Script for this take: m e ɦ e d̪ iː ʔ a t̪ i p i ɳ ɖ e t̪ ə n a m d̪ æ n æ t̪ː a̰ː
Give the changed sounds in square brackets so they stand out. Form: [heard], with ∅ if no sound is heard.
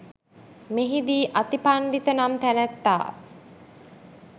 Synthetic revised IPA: m e ɦ [i] d̪ iː ʔ a t̪ i p [a] ɳ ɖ [i] t̪ ə n a m [t̪] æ n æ t̪ː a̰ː